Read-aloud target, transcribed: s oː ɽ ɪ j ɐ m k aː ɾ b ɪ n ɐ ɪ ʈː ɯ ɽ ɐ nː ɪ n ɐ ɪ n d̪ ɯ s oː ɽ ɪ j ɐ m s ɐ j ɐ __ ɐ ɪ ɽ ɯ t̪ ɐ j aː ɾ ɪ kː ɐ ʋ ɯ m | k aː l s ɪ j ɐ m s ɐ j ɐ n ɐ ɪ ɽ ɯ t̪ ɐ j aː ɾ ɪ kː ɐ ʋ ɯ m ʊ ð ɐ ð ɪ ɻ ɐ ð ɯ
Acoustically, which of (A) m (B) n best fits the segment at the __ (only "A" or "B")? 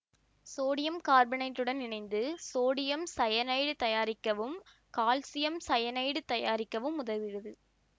B